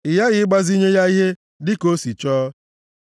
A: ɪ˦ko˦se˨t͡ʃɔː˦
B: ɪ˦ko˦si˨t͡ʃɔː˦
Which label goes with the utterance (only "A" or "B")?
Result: B